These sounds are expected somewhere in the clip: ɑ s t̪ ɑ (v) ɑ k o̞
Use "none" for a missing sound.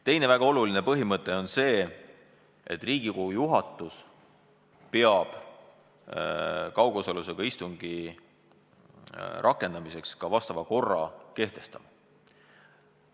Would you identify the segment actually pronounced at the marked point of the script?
v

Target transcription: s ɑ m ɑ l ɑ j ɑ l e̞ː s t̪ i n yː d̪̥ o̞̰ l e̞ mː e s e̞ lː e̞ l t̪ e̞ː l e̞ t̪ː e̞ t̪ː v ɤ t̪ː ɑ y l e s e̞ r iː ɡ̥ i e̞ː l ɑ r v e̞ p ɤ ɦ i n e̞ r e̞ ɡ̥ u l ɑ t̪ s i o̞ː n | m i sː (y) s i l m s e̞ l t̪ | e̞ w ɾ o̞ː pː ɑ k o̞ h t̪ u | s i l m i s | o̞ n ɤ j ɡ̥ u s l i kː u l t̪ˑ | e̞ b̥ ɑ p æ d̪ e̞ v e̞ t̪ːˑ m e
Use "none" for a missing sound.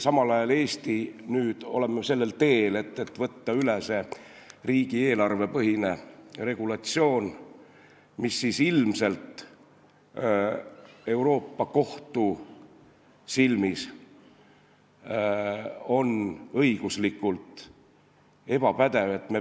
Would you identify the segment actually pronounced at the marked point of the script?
i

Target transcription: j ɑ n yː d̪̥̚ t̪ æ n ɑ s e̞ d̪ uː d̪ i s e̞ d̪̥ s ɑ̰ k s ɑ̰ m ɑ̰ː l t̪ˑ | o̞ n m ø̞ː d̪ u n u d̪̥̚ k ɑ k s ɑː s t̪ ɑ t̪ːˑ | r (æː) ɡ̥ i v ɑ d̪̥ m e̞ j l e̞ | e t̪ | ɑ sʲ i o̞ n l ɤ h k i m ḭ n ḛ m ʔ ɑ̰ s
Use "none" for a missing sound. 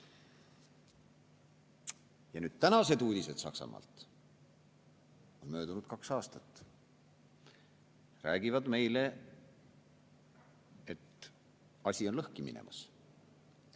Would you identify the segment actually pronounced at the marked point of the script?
æː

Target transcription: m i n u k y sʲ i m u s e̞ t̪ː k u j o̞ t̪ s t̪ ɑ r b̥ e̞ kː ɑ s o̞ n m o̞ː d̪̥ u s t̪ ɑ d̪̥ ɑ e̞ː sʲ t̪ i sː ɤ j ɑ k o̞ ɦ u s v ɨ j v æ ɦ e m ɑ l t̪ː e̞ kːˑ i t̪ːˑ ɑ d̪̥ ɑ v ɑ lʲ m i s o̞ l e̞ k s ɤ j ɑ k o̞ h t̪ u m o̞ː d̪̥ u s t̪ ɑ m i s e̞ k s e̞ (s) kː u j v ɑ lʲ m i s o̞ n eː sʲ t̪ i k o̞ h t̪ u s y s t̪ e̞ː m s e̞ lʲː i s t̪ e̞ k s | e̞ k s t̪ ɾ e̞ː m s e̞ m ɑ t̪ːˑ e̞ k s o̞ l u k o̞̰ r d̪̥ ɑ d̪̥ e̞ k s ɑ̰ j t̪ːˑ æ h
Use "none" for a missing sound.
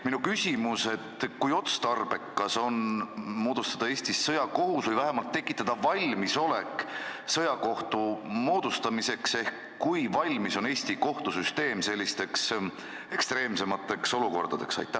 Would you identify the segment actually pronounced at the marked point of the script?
h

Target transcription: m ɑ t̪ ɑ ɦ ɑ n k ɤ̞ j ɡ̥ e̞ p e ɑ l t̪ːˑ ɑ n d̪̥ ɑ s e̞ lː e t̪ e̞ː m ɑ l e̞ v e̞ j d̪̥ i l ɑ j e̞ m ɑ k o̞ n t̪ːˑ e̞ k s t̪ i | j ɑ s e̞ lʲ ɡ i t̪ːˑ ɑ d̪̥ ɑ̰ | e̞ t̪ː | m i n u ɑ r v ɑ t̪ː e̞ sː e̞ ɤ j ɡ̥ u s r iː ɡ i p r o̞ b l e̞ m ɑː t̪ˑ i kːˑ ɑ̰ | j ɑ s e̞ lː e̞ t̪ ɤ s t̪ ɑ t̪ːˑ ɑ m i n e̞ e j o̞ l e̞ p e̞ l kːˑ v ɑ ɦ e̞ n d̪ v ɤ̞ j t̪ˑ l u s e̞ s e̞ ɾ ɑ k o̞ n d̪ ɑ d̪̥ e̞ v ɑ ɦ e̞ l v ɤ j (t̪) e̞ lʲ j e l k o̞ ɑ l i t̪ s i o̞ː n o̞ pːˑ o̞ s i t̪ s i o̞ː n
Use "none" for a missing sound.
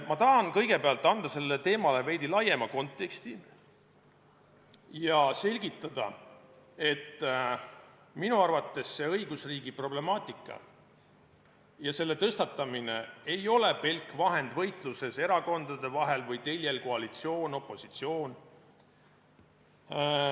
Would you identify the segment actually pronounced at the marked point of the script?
t̪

